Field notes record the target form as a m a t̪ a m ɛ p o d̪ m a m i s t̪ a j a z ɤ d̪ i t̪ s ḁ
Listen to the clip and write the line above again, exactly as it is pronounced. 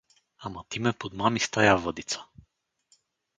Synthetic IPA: a m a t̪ i m ɛ p o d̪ m a m i s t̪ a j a v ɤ d̪ i t̪ s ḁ